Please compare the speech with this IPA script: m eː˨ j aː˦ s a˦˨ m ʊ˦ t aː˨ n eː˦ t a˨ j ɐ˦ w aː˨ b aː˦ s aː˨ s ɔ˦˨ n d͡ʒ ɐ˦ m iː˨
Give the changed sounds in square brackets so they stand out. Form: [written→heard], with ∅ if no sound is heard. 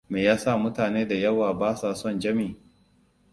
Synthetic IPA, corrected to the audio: m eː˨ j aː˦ s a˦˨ m ʊ˦ t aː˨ n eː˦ [t→d] a˨ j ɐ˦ w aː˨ b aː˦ s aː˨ s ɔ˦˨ n d͡ʒ ɐ˦ m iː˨